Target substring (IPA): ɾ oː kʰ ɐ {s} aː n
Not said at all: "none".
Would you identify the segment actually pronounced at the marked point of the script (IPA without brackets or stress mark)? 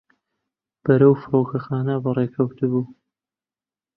x